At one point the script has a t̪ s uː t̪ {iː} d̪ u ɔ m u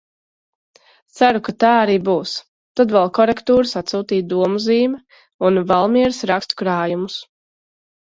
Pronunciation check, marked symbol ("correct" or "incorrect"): correct